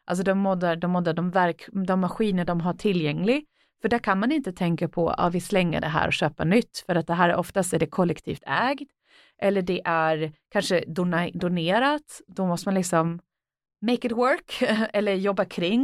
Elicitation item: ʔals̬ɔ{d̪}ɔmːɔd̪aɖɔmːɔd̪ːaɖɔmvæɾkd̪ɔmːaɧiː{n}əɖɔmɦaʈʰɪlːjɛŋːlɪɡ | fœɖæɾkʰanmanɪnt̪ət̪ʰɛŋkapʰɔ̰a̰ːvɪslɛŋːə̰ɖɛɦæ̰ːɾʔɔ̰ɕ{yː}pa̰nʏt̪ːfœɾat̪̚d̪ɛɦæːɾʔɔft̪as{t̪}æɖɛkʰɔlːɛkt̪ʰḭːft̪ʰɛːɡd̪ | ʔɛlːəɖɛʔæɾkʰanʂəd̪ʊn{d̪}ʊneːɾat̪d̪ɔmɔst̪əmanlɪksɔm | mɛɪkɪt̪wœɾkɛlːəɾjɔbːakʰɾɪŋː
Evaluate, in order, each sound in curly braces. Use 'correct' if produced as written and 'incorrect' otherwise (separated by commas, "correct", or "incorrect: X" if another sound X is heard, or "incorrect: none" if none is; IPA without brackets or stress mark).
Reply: correct, correct, incorrect: øː, correct, correct